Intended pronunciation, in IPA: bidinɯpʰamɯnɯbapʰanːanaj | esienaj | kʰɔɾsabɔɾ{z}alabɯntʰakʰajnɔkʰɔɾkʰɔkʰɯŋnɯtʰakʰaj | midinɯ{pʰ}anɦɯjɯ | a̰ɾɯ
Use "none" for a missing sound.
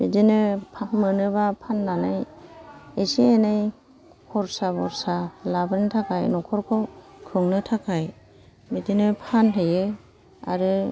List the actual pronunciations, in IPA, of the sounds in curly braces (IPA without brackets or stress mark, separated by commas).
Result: s, pʰ